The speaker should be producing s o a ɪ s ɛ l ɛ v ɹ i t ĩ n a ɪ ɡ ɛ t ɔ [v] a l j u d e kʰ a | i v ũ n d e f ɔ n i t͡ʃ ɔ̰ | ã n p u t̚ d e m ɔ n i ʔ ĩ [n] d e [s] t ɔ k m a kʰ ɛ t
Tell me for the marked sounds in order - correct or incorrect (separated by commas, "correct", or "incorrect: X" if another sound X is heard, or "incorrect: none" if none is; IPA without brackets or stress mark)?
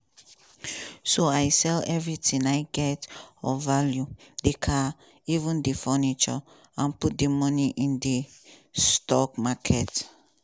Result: correct, correct, correct